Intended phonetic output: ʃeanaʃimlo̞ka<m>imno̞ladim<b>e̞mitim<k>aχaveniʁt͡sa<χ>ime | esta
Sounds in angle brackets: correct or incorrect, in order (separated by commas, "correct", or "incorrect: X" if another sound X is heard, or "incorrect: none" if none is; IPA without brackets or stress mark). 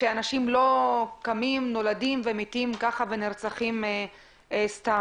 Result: correct, incorrect: v, correct, correct